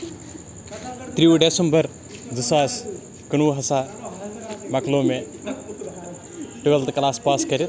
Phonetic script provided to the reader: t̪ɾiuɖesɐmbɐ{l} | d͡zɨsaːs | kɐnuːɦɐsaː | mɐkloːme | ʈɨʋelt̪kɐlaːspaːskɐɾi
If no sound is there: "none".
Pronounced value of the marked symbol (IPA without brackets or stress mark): ɾ